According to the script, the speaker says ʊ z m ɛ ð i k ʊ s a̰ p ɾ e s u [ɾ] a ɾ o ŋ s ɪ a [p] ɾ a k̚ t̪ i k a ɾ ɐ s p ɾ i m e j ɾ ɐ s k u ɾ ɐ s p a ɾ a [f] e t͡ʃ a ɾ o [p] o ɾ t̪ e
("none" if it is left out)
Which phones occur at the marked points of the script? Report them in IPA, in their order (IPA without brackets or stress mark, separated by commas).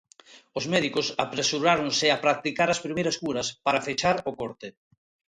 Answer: ɾ, p, f, k